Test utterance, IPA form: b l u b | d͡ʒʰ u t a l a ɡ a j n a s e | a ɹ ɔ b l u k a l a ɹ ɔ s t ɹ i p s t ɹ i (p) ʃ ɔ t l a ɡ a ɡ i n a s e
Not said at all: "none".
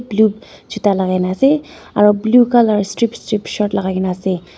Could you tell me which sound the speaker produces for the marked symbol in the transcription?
p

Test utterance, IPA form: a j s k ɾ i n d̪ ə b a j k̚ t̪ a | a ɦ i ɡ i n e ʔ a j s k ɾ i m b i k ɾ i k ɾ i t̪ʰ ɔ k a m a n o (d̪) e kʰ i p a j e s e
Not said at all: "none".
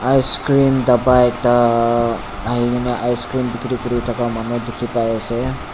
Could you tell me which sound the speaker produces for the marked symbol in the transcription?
d̪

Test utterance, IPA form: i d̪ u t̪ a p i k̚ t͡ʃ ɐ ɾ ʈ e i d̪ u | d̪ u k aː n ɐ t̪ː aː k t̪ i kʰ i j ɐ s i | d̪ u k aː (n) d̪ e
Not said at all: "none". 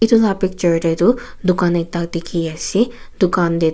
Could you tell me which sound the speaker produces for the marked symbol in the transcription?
n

